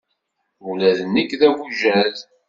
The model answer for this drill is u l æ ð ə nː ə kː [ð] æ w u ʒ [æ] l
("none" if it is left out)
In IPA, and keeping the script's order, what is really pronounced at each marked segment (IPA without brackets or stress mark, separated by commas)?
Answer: ð, æ